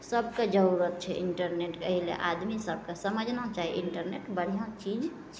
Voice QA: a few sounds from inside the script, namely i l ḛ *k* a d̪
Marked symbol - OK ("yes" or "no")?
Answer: no